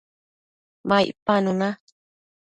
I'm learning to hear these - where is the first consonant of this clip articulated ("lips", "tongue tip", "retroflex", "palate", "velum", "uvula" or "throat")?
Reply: lips